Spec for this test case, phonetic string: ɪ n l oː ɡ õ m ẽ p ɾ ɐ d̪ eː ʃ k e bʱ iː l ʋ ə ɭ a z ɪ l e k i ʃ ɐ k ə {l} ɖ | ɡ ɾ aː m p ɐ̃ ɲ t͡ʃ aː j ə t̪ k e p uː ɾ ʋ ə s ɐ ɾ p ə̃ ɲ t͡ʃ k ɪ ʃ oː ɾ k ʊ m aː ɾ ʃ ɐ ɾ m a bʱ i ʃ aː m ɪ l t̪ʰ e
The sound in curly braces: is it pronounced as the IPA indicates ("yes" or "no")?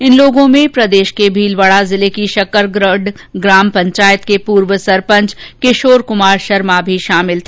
no